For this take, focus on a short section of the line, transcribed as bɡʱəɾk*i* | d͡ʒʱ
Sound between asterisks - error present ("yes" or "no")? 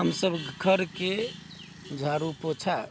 yes